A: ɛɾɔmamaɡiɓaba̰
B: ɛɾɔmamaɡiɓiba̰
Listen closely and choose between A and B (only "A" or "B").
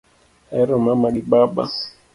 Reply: A